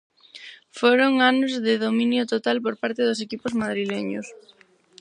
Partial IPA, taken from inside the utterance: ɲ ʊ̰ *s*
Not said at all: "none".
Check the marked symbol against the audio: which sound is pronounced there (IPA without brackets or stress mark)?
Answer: s